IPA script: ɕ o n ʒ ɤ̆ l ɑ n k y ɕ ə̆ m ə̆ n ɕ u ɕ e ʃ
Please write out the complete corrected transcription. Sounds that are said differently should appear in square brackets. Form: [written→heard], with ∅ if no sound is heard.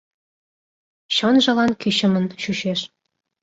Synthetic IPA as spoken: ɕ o n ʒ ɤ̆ l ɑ n k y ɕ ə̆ m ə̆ n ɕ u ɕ e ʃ